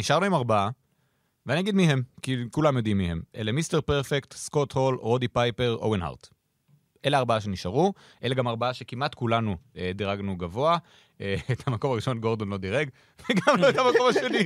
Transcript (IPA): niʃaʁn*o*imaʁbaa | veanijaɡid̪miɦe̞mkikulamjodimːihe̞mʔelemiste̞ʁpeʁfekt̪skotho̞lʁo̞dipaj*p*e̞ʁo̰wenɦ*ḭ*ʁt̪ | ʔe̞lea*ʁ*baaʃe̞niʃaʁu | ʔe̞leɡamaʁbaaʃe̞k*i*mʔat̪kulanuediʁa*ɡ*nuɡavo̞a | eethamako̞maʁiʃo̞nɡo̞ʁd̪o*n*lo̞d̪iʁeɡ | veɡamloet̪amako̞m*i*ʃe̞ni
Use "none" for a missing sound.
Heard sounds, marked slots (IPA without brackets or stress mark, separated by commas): u, p, a̰, ʁ, i, ɡ, n, a